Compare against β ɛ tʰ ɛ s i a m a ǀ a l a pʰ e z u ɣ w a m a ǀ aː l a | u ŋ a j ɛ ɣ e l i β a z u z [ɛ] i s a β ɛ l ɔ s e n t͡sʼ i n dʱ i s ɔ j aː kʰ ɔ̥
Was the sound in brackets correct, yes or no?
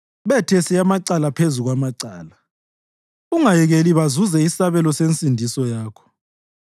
yes